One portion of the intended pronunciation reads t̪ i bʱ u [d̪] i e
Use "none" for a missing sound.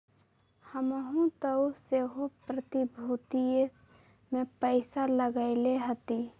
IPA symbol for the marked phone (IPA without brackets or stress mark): t̪